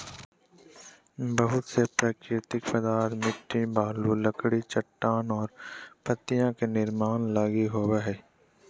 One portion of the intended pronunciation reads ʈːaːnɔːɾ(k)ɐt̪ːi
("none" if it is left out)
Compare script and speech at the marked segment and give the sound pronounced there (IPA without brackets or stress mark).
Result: p